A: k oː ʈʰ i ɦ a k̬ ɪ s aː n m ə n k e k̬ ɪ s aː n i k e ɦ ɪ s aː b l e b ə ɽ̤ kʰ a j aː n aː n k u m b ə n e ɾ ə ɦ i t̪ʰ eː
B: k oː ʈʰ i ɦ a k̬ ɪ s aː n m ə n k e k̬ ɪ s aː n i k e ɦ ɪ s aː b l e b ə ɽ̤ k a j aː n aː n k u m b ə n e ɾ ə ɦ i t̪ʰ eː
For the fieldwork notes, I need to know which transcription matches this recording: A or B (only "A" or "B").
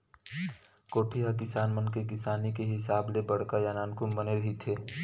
B